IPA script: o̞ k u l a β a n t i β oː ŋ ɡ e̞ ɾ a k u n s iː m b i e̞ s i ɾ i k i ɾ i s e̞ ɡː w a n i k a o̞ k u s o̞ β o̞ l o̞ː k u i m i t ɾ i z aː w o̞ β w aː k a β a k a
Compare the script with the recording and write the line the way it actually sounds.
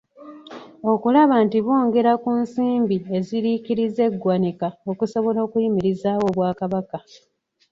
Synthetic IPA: o̞ k u l a β a n t i β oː ŋ ɡ e̞ ɾ a k u n s iː m b i e̞ z i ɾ i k i ɾ i z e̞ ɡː w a n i k a o̞ k u s o̞ β o̞ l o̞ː k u i m i ɾ i z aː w o̞ β w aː k a β a k a